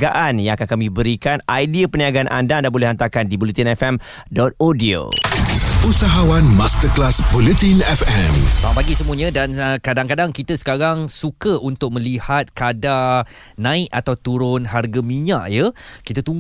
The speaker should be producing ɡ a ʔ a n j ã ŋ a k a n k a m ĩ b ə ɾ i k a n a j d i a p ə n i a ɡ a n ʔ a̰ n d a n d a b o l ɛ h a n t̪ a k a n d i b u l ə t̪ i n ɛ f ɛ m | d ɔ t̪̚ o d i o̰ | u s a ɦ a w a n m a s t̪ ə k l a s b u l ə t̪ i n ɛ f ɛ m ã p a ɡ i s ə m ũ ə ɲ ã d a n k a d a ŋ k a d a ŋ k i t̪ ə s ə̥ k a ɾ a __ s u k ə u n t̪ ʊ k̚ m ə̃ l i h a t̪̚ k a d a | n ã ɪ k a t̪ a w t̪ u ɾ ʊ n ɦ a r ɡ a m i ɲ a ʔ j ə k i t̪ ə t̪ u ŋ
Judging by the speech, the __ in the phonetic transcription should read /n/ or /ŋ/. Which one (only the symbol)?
ŋ